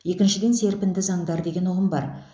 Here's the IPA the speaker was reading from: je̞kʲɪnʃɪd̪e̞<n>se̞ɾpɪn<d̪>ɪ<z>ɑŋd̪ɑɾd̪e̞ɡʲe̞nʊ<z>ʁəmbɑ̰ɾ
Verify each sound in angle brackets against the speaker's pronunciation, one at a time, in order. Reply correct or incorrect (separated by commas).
correct, correct, correct, incorrect